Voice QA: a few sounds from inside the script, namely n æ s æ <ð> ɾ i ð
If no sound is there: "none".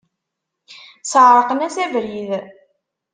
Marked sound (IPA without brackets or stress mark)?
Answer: v